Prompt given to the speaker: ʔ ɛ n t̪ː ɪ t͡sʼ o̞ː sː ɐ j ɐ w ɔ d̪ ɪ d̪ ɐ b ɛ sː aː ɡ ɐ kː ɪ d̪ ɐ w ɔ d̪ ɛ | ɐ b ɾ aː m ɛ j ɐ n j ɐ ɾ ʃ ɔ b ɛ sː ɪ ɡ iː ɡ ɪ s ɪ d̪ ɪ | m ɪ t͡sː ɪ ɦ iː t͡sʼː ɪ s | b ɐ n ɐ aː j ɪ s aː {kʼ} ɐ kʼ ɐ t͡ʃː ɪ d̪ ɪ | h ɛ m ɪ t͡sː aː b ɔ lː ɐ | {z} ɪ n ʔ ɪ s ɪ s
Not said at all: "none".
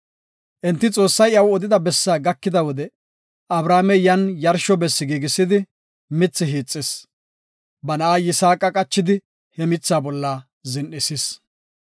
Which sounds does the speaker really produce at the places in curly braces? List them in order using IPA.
kʼ, z

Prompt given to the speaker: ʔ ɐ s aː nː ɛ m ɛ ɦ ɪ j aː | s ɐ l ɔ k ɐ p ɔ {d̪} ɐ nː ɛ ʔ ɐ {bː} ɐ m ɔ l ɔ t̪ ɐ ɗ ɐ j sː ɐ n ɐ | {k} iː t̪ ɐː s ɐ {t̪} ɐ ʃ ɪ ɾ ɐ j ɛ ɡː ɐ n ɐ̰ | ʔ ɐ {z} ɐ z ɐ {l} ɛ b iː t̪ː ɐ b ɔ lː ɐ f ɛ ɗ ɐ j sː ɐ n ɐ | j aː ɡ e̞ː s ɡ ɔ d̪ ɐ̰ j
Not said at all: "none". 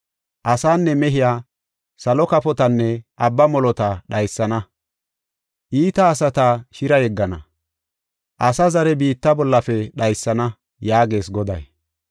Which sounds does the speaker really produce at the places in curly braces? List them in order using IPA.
t̪, bː, ʔ, t̪, s, ɾ

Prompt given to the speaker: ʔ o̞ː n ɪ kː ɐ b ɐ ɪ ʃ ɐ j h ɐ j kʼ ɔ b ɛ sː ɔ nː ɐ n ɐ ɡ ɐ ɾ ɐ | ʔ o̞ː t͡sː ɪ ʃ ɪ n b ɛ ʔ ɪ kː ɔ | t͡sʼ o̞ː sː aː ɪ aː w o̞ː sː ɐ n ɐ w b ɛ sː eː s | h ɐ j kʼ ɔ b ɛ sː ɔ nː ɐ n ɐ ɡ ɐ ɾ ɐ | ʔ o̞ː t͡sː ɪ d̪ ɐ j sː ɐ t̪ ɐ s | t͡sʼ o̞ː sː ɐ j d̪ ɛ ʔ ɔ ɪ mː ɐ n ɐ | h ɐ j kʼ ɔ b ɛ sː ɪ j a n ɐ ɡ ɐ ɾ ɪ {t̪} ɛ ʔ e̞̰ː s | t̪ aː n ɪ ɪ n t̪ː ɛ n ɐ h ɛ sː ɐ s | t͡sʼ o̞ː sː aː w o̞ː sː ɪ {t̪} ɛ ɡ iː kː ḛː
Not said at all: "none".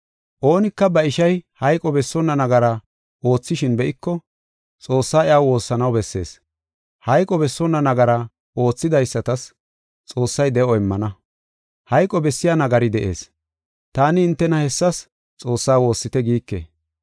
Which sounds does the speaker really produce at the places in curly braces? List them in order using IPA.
d̪, t̪

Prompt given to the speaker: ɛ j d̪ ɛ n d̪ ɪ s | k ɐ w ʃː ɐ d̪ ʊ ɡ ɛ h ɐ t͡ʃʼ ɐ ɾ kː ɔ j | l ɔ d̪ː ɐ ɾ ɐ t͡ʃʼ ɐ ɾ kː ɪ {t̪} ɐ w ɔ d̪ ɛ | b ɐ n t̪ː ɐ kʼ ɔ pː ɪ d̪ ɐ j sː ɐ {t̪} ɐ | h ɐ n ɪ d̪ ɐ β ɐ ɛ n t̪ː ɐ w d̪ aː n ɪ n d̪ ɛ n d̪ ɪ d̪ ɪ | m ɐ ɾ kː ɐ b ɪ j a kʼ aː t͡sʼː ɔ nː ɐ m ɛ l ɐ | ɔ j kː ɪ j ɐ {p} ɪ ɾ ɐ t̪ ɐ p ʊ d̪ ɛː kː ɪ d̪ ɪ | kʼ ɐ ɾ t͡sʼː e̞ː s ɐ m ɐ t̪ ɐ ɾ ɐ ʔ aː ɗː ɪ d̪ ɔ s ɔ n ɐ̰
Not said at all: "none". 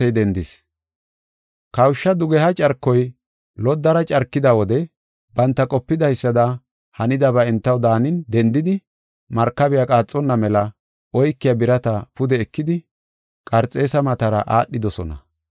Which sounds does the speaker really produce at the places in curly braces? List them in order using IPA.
d̪, d̪, b

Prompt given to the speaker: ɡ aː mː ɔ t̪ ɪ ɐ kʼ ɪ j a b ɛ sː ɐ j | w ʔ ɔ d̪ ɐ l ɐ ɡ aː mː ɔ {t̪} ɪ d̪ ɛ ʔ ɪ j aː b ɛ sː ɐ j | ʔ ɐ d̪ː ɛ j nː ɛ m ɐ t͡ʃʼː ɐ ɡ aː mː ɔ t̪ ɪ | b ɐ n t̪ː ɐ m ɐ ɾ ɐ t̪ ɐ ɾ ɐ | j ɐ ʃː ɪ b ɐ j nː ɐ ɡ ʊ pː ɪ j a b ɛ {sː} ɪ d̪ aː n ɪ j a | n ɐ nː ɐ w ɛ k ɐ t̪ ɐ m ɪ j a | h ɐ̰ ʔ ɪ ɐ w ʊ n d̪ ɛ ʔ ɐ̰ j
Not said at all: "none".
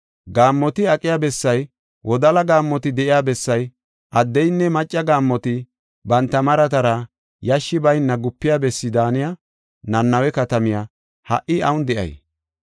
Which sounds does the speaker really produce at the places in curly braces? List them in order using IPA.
t̪, sː

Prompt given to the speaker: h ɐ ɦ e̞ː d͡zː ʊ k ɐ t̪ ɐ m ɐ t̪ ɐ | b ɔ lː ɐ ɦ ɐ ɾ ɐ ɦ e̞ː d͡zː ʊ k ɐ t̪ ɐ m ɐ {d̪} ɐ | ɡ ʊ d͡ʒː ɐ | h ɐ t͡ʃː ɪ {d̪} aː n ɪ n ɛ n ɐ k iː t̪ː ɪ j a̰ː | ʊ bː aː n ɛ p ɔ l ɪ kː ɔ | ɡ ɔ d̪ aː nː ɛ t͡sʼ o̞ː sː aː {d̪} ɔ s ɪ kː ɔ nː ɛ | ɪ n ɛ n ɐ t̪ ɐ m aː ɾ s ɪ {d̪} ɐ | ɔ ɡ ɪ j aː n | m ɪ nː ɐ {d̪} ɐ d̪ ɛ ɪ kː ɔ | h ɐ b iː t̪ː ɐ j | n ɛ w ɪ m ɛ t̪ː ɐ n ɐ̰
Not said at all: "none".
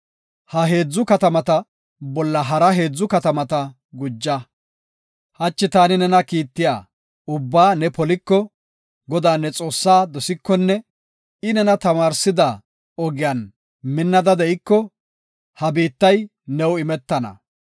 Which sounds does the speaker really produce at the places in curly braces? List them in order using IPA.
t̪, t̪, d̪, d̪, d̪

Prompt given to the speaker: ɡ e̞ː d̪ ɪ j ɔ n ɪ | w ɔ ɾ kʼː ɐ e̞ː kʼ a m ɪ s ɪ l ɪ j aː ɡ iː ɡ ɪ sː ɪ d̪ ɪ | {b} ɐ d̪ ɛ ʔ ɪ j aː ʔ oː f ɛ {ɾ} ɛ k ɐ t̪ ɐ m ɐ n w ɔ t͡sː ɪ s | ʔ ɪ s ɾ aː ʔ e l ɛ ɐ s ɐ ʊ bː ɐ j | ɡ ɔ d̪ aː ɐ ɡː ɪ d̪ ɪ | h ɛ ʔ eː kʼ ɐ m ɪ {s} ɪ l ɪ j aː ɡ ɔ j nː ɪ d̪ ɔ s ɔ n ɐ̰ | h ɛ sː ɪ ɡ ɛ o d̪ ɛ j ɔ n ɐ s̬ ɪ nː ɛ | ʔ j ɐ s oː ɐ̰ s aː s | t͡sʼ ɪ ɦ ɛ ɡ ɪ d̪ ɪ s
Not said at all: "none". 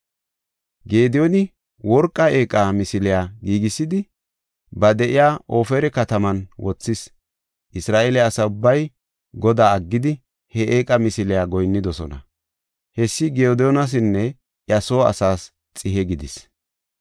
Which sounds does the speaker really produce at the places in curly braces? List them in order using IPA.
b, ɾ, s

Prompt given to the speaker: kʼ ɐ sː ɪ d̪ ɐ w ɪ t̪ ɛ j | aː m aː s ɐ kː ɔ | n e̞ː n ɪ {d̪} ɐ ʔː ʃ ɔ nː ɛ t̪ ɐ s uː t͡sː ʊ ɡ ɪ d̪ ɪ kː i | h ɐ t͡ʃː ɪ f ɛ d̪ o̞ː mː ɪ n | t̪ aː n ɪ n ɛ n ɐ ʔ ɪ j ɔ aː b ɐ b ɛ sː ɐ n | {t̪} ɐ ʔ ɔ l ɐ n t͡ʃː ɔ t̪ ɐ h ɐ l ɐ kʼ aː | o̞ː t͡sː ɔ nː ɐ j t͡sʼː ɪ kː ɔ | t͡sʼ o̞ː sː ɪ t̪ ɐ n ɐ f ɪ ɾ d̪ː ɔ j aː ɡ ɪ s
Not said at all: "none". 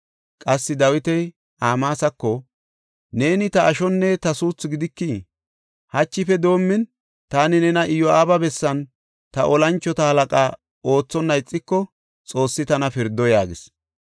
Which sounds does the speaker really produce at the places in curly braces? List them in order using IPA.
t̪, t̪

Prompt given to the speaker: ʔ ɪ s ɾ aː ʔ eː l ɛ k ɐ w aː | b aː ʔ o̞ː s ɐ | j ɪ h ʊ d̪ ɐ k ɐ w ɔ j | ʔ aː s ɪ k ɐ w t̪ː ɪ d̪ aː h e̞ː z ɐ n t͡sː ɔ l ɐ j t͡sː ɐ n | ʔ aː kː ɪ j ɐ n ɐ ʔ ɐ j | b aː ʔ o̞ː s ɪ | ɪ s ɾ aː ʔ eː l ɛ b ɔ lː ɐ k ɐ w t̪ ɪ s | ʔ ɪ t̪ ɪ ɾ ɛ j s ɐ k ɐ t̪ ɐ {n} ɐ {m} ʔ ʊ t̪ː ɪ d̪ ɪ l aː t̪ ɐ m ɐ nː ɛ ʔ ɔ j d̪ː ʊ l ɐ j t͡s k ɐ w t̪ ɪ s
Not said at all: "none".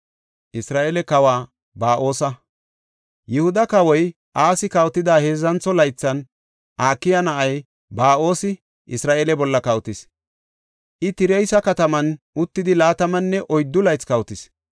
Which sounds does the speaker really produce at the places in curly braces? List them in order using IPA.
m, n

